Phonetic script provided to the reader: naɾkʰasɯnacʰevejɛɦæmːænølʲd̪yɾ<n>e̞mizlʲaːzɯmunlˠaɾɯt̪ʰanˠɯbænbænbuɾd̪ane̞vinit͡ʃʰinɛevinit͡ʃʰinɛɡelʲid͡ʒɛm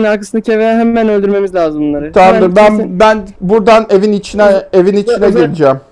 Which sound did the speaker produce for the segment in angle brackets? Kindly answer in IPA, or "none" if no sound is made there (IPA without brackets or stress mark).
m